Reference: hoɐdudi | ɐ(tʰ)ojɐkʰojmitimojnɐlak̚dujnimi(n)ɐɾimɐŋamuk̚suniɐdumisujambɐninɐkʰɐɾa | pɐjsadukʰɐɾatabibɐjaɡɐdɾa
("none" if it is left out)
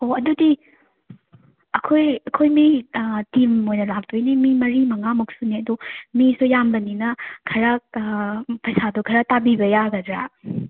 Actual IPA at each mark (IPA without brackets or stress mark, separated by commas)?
kʰ, m